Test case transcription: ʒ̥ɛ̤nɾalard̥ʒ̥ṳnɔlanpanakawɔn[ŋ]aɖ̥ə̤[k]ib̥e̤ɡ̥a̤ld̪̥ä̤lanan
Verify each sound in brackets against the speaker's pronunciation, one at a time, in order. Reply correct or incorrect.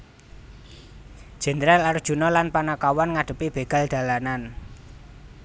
correct, incorrect

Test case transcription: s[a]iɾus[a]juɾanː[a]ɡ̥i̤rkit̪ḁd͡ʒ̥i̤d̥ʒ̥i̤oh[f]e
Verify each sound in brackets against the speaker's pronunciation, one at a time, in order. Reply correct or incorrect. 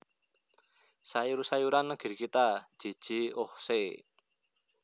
correct, correct, incorrect, incorrect

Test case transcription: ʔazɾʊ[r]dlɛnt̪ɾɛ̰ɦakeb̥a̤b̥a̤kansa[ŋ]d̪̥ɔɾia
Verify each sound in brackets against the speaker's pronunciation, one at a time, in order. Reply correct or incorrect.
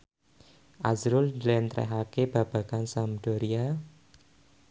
incorrect, incorrect

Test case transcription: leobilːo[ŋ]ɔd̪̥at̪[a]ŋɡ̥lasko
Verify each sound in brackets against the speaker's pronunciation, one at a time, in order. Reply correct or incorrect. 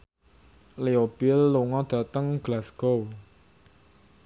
correct, incorrect

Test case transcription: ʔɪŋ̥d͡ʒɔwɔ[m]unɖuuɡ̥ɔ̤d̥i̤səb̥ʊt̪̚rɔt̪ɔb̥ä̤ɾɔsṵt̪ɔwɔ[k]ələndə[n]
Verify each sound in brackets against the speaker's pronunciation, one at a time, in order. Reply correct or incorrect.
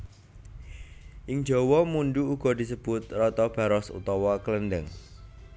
correct, correct, incorrect

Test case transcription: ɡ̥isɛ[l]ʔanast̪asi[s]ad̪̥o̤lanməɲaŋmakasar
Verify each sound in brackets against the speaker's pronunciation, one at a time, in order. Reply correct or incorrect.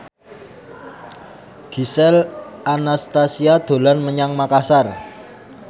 correct, incorrect

